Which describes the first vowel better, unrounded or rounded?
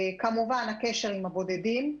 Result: unrounded